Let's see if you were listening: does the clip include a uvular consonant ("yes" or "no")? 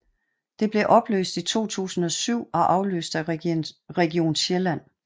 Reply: yes